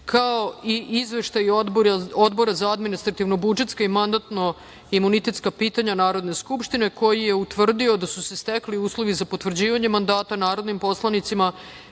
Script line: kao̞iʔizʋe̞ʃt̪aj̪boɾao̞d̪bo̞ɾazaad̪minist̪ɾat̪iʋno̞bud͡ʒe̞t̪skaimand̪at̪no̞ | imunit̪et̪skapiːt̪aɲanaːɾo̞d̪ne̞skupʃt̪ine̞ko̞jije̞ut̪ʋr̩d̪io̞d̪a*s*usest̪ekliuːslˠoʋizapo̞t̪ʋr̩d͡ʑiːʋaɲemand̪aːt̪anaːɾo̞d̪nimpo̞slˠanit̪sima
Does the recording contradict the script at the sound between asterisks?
no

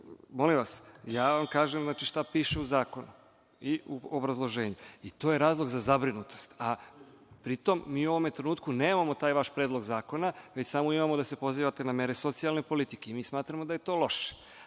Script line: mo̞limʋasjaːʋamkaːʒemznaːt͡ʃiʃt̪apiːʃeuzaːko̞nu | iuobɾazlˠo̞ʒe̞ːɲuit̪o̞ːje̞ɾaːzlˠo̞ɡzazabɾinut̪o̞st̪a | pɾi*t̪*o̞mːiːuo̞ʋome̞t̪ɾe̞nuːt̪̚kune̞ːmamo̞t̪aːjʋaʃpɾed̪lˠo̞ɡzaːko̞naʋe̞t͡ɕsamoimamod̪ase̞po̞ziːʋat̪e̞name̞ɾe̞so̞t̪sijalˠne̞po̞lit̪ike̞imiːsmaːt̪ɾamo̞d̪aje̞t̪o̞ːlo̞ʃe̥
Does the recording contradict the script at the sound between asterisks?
no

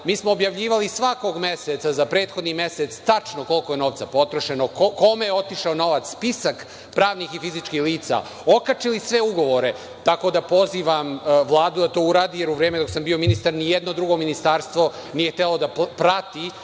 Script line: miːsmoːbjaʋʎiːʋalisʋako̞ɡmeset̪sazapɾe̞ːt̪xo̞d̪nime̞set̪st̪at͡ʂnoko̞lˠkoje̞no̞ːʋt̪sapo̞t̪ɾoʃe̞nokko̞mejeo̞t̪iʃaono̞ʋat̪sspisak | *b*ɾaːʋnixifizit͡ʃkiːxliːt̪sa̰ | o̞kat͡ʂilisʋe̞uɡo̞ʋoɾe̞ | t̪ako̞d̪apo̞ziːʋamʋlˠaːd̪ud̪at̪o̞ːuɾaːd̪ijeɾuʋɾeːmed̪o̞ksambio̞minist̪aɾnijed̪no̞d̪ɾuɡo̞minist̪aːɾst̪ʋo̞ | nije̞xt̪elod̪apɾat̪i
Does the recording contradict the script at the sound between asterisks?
yes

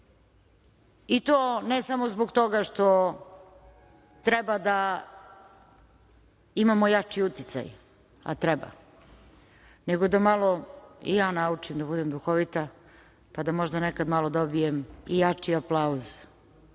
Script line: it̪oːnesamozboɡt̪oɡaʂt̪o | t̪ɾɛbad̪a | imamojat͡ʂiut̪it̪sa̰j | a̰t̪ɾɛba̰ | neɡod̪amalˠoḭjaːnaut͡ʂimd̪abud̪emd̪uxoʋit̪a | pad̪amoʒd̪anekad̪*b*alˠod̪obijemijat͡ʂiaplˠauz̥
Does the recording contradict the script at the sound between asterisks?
yes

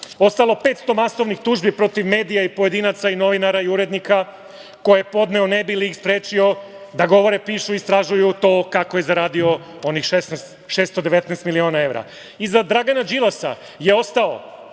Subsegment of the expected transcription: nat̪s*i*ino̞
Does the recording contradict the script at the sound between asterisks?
yes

